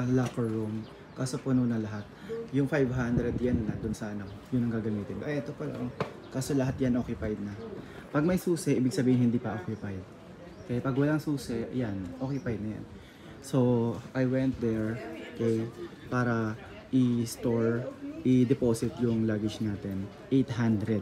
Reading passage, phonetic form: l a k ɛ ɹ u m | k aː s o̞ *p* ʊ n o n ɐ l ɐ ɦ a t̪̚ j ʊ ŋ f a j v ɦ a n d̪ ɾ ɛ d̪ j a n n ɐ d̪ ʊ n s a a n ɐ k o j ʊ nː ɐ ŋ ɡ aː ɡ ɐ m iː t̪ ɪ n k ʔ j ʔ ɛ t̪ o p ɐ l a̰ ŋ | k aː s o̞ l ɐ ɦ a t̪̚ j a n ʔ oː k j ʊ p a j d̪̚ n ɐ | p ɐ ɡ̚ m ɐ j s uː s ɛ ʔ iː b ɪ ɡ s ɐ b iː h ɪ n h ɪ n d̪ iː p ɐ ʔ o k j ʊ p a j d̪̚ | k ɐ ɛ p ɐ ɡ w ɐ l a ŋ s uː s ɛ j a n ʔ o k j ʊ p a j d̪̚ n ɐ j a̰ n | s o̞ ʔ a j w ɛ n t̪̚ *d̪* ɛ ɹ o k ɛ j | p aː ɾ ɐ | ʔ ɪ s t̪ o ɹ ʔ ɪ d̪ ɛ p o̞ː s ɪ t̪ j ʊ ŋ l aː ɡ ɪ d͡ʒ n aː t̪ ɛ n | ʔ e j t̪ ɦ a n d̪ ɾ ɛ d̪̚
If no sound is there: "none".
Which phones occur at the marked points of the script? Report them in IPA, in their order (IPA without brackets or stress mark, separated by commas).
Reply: p, d̪